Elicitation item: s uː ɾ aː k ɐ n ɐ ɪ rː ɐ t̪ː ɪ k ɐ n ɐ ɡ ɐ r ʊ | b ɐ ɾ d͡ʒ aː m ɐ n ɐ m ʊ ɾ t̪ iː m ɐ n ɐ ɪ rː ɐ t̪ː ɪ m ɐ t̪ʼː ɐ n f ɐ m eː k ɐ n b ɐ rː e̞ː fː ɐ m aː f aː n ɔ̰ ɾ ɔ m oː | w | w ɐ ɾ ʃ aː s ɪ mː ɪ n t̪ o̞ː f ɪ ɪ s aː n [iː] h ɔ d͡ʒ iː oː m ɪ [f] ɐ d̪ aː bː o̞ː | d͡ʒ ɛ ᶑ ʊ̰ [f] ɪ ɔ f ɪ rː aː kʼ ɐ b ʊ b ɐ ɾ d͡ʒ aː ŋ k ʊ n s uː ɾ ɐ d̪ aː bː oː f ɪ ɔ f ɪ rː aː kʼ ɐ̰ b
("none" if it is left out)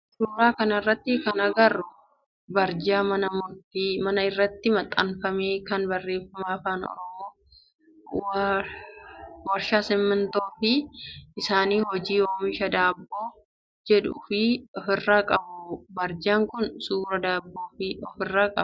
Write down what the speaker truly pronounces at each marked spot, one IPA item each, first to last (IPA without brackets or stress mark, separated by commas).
iː, ʃ, f